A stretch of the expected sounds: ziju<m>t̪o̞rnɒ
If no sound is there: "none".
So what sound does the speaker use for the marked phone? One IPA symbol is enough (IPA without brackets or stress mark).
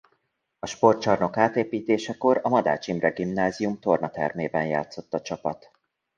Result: m